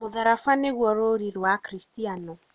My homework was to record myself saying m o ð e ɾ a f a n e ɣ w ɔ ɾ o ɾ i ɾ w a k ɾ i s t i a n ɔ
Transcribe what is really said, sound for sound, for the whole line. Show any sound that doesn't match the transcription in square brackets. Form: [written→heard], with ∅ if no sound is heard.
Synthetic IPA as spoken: m o ð [e→a] ɾ a f a n e ɣ w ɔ ɾ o ɾ i ɾ w a k ɾ i s t i a n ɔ